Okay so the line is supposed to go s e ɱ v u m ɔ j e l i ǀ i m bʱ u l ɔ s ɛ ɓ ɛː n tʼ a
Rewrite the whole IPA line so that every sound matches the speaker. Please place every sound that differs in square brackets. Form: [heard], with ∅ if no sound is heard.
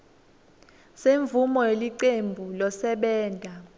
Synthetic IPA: s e ɱ v u m ɔ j e l i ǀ [e] m bʱ u l ɔ s ɛ ɓ ɛː n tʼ a